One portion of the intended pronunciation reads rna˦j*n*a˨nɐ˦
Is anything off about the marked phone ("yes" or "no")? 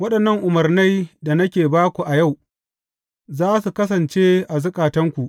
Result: yes